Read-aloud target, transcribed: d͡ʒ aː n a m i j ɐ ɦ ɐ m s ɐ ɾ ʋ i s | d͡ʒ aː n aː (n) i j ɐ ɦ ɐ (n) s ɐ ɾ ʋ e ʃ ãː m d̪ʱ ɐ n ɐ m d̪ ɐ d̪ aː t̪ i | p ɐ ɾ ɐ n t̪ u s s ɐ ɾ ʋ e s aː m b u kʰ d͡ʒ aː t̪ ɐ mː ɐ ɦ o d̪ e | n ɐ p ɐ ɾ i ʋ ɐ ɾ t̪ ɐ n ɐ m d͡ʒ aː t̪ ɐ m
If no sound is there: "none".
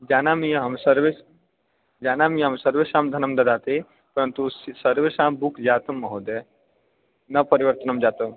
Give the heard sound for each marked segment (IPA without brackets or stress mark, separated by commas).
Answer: m, m